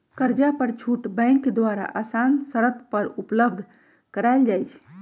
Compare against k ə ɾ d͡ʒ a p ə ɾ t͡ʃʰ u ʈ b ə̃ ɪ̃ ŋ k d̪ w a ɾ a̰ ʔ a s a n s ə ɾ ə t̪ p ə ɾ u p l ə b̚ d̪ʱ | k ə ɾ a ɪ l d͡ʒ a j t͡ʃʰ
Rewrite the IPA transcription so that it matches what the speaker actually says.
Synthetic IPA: k ə ɾ d͡ʒ a p ə ɾ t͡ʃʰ u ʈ b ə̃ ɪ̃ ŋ k d̪ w a ɾ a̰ ʔ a s a n s ə ɾ ə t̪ p ə ɾ u p l ə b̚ d̪ʱ | k ə ɾ a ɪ l d͡ʒ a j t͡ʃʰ